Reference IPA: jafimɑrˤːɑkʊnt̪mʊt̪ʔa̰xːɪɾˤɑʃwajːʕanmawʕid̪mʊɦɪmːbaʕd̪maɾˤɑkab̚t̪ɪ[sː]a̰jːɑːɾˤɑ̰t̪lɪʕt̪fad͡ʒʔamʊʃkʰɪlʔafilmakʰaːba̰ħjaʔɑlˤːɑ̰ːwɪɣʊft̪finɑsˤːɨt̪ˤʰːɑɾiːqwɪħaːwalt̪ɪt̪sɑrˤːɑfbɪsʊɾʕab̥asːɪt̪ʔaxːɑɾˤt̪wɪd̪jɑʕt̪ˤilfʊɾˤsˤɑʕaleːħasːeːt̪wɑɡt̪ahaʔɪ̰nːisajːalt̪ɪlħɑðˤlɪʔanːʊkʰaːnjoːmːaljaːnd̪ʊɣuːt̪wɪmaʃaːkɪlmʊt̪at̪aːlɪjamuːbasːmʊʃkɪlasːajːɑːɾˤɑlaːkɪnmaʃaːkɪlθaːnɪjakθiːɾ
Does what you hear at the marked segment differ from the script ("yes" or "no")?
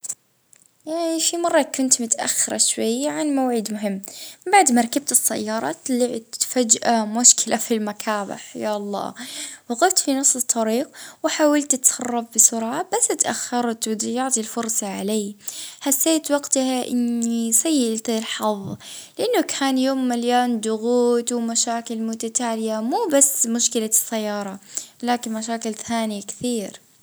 no